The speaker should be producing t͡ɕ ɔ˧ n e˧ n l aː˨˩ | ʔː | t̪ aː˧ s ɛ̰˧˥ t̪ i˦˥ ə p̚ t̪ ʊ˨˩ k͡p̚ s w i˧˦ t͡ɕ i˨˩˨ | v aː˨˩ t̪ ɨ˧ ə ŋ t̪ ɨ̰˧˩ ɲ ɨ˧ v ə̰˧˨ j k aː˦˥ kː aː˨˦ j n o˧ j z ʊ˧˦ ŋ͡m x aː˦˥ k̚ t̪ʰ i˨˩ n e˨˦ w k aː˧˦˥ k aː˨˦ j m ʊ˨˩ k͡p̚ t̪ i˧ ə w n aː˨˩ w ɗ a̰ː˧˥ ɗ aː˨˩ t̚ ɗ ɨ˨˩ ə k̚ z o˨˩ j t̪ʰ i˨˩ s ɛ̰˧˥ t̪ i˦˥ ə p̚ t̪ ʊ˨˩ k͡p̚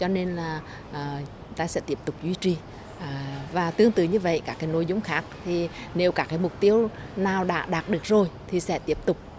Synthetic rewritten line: t͡ɕ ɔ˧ n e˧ n l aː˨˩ | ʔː | t̪ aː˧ s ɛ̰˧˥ t̪ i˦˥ ə p̚ t̪ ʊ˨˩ k͡p̚ z w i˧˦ t͡ɕ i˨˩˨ | v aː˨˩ t̪ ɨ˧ ə ŋ t̪ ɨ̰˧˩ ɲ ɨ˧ v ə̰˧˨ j k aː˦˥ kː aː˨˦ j n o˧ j z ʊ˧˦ ŋ͡m x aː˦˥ k̚ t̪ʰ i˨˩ n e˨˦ w k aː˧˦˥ k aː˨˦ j m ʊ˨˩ k͡p̚ t̪ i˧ ə w n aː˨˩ w ɗ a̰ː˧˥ ɗ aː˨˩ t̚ ɗ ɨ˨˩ ə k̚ z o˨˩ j t̪ʰ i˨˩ s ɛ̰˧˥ t̪ i˦˥ ə p̚ t̪ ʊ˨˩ k͡p̚